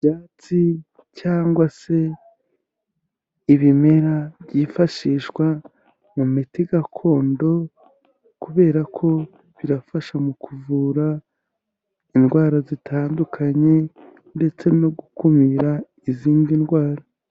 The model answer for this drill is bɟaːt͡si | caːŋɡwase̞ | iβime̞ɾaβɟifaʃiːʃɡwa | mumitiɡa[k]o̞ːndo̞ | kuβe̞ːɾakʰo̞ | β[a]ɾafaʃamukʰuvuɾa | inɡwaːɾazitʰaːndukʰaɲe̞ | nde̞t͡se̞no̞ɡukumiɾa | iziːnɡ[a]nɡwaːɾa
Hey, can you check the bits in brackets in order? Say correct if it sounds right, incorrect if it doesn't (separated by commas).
incorrect, incorrect, incorrect